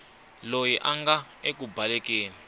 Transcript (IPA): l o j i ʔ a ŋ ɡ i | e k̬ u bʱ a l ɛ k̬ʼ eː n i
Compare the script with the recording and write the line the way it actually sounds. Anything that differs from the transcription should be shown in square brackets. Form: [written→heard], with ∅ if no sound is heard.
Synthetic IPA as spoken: l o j i ʔ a ŋ ɡ [i→a] | e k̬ u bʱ a l ɛ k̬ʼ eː n i